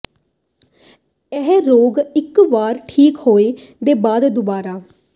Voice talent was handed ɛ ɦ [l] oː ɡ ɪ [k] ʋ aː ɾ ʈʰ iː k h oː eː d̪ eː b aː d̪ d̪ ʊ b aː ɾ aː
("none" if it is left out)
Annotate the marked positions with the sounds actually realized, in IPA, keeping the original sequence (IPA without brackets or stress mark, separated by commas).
ɾ, k